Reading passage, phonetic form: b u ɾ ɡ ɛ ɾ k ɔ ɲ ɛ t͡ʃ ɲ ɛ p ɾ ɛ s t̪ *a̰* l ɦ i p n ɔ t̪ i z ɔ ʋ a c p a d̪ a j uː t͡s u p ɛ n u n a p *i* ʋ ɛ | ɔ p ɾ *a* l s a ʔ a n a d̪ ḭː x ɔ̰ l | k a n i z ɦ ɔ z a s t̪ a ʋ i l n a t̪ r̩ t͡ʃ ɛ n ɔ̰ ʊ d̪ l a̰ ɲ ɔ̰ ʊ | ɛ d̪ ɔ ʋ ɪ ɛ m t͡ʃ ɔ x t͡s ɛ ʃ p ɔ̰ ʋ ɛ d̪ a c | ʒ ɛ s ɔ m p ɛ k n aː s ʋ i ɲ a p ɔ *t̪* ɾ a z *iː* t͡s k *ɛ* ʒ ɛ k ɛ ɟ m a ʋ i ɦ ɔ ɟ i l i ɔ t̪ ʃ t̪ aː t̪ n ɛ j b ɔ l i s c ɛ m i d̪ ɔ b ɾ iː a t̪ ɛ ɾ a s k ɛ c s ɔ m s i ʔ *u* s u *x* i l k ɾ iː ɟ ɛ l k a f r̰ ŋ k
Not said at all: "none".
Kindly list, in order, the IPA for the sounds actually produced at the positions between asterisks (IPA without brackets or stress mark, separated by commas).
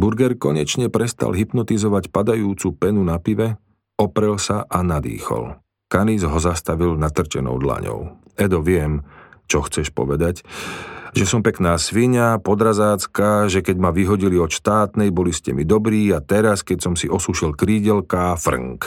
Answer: a̰, i, ɛ, d̪, aː, a, ɔ, ʃ